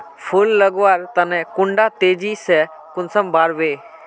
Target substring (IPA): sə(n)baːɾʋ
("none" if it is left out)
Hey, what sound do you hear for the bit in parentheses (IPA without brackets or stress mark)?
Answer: m